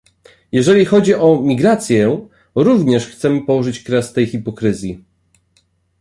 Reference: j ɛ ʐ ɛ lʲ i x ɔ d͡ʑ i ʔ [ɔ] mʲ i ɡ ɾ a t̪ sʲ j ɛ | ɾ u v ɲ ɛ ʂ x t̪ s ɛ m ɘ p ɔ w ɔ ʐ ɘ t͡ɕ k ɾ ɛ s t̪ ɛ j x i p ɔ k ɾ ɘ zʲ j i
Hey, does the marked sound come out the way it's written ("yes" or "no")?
yes